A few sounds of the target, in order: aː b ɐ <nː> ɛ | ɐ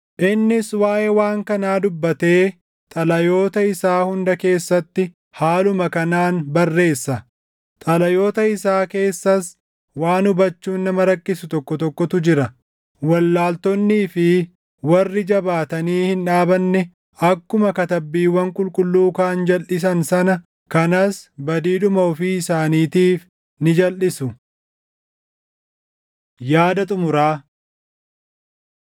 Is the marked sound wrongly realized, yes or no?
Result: no